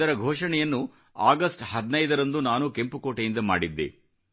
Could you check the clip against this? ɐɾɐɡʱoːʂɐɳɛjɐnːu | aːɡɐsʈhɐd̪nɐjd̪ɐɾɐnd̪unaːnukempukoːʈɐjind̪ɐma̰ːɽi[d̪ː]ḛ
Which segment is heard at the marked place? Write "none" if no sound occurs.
d̪ː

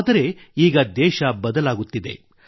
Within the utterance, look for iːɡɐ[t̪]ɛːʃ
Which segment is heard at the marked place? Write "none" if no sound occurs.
d̪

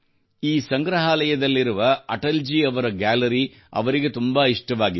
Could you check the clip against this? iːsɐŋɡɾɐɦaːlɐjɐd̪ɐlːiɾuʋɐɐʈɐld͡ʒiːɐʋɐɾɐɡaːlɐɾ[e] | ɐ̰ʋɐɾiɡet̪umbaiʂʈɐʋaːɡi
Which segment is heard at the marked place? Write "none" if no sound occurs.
i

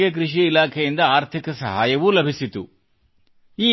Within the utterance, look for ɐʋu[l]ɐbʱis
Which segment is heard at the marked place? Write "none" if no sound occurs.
l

